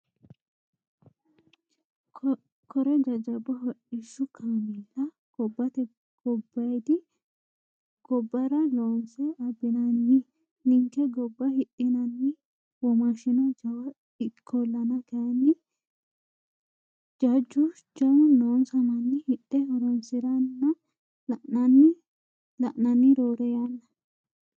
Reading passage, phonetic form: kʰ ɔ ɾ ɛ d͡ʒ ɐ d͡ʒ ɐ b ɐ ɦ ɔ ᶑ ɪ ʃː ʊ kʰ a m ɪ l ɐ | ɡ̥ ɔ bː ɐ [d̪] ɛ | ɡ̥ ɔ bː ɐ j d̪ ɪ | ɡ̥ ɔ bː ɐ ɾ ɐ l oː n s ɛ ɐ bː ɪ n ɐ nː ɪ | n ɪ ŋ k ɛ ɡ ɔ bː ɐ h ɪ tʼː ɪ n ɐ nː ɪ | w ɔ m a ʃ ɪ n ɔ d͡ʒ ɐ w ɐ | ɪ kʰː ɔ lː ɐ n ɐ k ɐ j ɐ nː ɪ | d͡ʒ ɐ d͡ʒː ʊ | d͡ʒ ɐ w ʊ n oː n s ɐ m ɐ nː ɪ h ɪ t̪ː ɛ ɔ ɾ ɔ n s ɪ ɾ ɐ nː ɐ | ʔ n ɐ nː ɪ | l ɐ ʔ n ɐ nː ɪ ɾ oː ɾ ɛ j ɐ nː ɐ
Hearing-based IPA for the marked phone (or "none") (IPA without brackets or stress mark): t̪